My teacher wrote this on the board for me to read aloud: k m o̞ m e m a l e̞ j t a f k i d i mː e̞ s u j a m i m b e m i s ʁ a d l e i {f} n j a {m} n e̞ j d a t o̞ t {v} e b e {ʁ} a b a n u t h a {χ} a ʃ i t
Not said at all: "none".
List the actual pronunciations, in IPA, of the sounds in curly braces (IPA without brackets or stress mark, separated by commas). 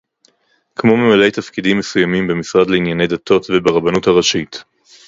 none, none, v, ʁ, ʁ